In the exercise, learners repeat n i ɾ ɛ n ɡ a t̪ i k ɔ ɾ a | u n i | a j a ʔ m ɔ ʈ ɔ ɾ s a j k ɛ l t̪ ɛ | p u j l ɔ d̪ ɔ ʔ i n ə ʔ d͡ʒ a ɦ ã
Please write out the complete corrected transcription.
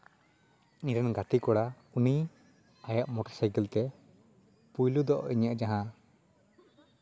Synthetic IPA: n i ɾ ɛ n ɡ a t̪ i k ɔ ɽ a | u n i | a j a ʔ m ɔ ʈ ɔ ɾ s a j k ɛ l t̪ ɛ | p u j l u d̪ ɔ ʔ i ɲ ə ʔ d͡ʒ a ɦ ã